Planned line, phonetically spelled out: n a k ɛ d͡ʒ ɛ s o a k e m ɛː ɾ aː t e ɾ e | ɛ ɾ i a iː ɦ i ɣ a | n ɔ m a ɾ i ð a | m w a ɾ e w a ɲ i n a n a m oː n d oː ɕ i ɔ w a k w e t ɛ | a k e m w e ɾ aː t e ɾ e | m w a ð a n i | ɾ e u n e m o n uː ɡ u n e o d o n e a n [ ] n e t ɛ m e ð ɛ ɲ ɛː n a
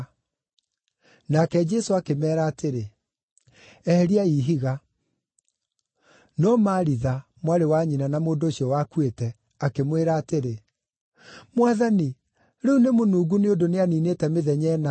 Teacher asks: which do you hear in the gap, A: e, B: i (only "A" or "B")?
B